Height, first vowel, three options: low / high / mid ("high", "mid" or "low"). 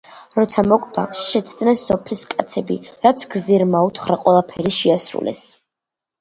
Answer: mid